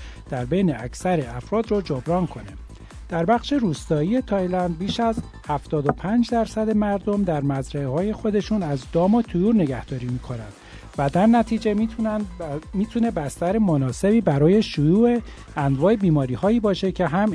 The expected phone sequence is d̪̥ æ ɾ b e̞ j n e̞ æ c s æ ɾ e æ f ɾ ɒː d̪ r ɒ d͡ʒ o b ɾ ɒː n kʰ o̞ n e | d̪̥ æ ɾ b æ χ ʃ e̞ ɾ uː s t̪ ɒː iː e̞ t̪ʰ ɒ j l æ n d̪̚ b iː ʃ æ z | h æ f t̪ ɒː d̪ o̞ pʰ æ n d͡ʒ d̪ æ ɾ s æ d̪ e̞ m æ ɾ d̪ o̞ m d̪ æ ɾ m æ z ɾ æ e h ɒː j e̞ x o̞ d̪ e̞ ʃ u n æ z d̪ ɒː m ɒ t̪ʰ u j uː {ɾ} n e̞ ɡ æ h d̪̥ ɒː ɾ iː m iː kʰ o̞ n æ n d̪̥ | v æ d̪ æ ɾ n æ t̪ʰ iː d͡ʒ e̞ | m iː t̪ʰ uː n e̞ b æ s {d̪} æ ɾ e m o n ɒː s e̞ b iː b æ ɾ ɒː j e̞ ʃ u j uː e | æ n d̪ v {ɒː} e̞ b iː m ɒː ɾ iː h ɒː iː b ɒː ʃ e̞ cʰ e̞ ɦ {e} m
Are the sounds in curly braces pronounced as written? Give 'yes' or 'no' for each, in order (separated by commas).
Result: yes, no, yes, no